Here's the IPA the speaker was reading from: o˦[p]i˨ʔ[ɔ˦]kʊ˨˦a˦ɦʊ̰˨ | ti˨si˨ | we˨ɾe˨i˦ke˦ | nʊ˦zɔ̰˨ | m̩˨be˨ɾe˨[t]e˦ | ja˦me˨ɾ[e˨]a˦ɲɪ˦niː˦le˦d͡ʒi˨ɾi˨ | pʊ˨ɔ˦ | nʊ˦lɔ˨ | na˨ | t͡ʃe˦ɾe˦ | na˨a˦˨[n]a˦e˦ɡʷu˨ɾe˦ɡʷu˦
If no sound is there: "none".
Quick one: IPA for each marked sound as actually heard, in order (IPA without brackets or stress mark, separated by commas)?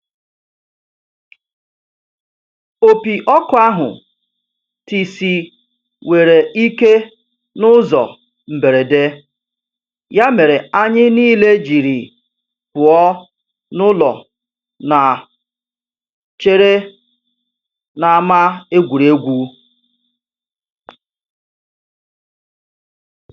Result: p, ɔ˦, d, e˨, m